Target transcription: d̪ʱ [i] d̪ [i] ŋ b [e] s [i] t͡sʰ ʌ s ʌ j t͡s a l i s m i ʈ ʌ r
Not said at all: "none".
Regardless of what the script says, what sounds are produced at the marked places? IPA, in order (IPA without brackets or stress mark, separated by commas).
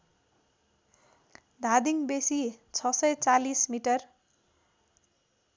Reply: a, i, e, i